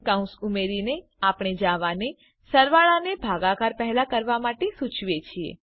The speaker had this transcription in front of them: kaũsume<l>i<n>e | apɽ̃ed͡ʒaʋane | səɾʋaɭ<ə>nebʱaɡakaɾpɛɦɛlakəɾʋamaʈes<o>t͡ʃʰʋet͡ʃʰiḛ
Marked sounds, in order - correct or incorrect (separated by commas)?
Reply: incorrect, correct, incorrect, incorrect